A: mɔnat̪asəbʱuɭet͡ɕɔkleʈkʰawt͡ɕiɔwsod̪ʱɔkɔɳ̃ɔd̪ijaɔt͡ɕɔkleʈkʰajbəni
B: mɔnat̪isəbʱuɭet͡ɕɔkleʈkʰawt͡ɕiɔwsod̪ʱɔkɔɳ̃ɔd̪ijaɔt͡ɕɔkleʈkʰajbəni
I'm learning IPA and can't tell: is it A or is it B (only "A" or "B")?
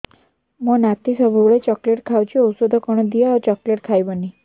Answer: B